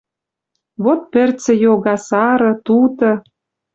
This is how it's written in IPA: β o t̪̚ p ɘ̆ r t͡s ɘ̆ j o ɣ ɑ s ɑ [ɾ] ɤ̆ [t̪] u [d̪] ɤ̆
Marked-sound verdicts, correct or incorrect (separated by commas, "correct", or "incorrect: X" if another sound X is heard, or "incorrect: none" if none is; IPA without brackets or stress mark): correct, correct, incorrect: t̪